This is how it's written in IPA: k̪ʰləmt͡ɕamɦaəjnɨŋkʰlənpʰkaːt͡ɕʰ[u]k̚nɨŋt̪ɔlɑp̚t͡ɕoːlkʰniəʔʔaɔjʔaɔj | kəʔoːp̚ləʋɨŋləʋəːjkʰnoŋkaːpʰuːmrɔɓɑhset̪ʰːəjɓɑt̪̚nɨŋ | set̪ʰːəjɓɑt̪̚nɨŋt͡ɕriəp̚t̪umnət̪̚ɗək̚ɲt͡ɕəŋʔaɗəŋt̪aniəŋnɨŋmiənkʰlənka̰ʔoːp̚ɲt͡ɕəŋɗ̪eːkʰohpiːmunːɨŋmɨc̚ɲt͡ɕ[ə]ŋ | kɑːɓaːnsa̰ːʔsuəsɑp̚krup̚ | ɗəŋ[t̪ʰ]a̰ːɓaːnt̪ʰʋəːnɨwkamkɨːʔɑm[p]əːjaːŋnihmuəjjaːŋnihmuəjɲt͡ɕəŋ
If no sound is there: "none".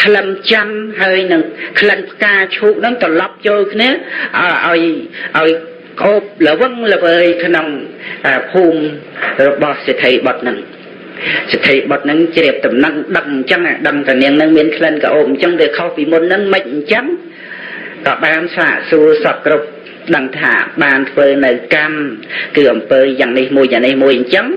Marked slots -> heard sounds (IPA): uː, ə, t̪ʰ, p

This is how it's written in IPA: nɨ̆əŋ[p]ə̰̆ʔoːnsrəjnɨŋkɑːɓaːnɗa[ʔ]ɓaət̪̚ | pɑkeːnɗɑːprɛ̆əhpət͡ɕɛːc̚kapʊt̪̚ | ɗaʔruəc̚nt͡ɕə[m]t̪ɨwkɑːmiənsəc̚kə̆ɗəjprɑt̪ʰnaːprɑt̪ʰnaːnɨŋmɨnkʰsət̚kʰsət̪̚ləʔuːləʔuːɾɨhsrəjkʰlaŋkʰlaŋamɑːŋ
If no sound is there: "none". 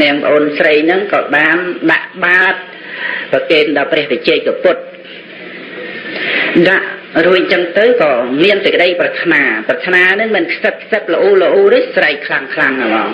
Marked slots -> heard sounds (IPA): p, ʔ, ŋ

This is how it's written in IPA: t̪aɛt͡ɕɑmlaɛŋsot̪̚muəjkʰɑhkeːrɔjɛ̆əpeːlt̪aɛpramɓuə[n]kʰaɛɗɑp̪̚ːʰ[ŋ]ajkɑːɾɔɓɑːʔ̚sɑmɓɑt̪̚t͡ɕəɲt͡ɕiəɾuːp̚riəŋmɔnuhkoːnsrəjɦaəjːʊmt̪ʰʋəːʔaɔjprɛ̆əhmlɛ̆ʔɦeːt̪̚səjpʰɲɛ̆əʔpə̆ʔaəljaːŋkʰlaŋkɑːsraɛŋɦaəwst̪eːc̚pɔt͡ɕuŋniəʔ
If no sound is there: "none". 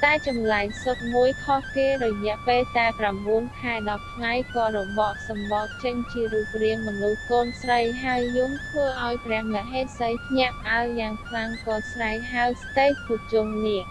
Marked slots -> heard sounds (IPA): n, ŋ

